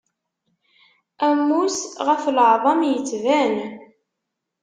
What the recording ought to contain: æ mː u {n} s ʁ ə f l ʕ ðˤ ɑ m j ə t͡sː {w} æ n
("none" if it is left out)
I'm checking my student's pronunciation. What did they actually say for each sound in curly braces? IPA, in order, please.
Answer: none, v

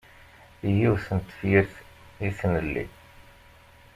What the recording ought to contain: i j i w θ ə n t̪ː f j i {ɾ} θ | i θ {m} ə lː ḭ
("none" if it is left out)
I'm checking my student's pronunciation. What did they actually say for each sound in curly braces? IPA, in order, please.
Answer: ɾ, n

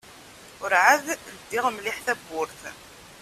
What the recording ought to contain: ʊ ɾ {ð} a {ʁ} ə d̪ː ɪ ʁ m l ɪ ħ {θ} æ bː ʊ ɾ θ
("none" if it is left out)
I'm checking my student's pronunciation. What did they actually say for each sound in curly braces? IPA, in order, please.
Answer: ʕ, ð, θ

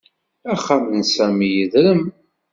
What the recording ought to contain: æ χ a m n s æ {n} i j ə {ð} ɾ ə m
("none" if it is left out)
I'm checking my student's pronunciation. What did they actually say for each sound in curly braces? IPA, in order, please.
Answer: m, ð

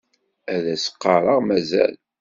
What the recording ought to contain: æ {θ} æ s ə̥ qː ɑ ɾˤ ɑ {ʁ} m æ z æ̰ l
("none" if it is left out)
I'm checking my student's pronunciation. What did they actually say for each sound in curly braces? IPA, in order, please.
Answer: ð, ʁ

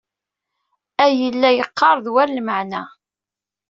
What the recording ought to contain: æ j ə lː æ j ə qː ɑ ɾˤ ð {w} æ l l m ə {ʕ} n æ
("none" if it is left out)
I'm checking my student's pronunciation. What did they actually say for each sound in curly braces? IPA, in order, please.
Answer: w, ʕ

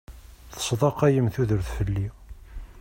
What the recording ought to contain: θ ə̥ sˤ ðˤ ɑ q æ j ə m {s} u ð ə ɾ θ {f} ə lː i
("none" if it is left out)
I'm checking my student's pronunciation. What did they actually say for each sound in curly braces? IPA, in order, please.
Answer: θ, f

